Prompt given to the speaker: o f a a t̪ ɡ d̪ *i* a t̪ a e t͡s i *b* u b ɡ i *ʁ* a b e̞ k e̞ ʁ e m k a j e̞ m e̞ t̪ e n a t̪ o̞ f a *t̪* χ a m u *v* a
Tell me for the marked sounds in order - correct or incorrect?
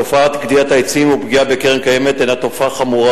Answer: correct, incorrect: m, incorrect: none, incorrect: none, incorrect: ʁ

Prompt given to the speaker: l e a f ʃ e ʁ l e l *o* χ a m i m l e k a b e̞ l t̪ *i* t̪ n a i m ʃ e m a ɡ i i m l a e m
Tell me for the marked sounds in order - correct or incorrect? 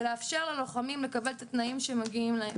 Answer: correct, incorrect: a

